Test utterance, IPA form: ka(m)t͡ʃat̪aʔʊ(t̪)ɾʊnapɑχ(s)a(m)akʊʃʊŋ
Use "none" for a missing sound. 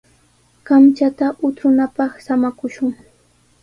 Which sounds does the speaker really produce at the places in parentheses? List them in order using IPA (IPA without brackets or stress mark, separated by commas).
m, t̪, s, m